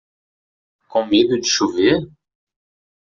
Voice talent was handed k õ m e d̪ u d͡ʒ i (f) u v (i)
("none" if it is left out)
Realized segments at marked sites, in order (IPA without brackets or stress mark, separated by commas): ʃ, e